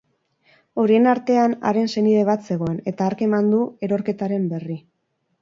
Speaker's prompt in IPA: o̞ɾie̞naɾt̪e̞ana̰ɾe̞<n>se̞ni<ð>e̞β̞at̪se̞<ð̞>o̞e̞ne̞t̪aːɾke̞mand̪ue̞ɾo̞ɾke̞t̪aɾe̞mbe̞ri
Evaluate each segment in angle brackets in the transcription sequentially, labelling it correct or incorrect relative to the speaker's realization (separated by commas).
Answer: correct, correct, incorrect